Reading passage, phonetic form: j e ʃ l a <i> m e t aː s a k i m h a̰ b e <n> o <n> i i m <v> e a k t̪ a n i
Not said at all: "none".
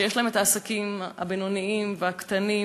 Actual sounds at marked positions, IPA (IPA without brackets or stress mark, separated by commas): e, n, n, v